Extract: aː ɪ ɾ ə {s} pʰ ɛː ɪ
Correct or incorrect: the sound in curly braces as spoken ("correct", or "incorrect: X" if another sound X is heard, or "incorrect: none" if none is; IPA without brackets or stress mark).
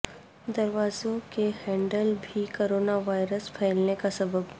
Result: correct